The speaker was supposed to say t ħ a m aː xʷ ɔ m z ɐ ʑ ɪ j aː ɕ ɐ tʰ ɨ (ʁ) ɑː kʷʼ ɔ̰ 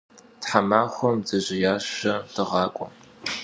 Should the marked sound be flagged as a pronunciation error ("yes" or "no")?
no